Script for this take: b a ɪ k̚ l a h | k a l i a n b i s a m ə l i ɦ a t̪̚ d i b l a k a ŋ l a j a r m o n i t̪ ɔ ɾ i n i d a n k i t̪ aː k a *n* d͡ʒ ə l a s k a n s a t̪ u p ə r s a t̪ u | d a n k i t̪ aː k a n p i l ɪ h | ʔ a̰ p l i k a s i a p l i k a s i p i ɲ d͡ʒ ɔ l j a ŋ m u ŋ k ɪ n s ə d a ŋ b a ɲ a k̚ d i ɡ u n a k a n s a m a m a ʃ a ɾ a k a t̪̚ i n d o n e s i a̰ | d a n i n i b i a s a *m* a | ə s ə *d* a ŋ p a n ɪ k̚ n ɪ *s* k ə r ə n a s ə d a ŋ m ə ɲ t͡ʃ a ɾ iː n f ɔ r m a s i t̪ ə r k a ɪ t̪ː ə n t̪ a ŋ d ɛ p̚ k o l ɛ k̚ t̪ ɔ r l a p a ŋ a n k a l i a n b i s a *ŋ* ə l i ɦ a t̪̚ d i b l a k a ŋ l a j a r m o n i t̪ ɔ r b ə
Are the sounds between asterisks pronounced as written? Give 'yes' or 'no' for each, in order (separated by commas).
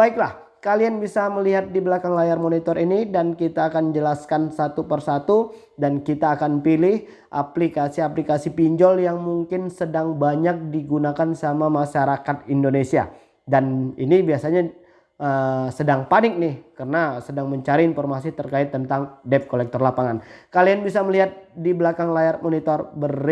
yes, no, yes, no, no